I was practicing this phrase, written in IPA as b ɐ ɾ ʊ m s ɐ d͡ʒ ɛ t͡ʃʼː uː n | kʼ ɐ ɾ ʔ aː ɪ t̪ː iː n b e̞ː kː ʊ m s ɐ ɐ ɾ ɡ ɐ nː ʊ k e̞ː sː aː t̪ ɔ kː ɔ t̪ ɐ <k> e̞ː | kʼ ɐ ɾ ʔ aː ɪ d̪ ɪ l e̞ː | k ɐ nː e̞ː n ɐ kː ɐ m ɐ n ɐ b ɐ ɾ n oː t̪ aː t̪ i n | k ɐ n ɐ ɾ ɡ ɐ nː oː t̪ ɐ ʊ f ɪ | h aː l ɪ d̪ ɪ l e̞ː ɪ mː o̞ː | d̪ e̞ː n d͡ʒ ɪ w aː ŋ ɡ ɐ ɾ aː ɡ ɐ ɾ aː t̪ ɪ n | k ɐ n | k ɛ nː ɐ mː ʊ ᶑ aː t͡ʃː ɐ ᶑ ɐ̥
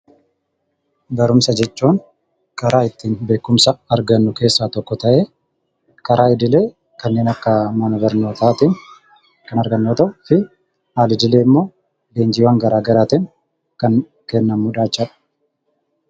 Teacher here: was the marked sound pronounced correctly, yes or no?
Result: no